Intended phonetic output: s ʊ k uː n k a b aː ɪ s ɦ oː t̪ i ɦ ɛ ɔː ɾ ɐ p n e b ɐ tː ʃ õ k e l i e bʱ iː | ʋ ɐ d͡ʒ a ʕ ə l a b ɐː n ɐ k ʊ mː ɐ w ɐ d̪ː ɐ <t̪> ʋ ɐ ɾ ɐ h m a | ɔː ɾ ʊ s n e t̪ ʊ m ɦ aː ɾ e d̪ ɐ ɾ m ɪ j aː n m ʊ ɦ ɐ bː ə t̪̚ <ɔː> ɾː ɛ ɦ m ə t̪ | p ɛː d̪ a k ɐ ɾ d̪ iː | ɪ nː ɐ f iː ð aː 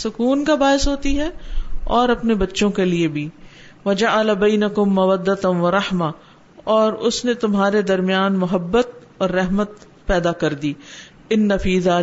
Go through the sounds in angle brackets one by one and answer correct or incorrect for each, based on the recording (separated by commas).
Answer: correct, correct